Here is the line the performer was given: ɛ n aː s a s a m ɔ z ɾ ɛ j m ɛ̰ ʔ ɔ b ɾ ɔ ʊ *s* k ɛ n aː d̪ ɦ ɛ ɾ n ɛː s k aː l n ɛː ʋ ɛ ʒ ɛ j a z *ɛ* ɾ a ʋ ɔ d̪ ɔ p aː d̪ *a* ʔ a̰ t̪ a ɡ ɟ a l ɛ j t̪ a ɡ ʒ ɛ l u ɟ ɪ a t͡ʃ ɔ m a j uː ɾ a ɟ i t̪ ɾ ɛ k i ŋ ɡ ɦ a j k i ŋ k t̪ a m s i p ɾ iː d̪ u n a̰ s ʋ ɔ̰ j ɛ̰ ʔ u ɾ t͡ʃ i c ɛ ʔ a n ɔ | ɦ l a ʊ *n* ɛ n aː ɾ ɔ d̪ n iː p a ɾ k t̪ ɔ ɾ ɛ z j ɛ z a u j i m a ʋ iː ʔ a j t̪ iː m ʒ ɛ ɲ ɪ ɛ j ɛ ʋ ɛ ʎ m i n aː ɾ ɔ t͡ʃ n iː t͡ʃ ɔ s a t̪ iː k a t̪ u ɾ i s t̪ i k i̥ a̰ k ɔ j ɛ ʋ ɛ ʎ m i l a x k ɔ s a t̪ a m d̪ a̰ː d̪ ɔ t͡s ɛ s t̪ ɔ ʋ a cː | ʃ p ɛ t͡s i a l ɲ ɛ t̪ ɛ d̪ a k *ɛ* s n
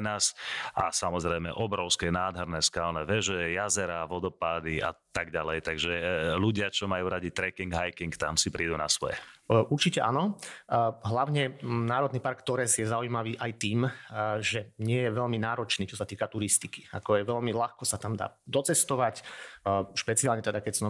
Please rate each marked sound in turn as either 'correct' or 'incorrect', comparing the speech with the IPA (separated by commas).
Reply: correct, correct, incorrect, incorrect, correct